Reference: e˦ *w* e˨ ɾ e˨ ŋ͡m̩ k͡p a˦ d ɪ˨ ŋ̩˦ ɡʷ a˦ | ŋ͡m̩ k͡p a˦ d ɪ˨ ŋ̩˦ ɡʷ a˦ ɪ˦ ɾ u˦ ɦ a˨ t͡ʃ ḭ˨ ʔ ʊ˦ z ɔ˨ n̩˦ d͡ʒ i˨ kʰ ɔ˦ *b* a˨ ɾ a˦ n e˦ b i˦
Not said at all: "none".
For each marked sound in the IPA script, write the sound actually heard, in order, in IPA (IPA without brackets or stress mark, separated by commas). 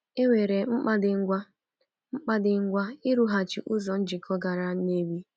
w, ɡ